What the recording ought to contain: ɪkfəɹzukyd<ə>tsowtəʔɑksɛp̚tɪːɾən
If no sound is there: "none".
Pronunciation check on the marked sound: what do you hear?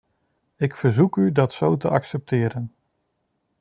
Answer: ɑ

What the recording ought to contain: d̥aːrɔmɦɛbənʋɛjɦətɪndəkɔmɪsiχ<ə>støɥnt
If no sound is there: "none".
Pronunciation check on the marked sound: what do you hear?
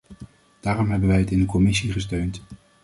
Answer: ə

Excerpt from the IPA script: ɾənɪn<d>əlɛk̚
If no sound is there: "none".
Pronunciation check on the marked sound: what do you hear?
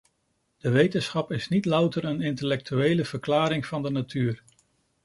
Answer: t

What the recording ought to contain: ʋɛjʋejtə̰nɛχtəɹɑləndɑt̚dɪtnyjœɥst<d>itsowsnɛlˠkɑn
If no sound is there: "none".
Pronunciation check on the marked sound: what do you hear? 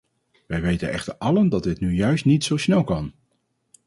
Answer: n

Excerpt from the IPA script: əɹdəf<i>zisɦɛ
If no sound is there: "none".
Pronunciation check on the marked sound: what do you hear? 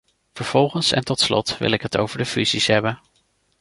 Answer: y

